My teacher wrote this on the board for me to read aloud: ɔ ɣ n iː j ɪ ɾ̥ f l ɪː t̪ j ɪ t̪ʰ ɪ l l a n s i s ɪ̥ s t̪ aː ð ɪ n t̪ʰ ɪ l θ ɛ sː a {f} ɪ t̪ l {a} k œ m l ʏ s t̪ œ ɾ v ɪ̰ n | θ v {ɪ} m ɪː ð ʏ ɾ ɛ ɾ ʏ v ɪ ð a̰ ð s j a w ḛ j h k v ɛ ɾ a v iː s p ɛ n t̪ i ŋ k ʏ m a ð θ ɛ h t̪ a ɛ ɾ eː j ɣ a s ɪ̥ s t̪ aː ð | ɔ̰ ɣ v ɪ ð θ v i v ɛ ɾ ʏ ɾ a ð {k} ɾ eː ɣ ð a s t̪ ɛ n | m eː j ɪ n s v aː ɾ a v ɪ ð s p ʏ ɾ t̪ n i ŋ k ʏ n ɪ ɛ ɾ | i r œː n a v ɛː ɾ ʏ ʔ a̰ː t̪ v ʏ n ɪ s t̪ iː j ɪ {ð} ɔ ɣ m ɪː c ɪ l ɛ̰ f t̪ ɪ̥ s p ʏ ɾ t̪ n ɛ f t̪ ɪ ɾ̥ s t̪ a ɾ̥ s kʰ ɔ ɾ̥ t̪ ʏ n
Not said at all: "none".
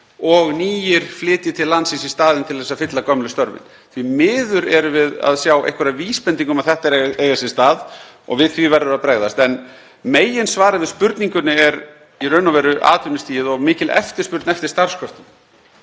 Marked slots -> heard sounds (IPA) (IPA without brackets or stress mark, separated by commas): f, a, i, p, ð